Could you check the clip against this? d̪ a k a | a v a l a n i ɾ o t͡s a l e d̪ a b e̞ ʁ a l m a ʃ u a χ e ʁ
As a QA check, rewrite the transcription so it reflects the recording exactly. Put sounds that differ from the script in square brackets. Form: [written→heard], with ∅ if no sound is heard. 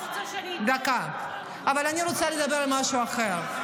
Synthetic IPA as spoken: d̪ a k a | a v a l a n i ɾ o t͡s a l e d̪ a b e̞ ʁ a l m a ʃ u a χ e ʁ